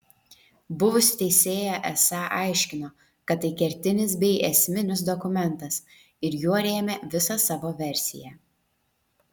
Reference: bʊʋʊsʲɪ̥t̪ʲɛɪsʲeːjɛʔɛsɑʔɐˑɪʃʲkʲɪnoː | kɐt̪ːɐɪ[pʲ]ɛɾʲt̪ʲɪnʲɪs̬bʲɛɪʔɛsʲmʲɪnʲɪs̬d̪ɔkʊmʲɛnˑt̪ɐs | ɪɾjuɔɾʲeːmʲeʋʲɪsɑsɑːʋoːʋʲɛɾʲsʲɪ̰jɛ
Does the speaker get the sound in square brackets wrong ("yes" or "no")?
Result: yes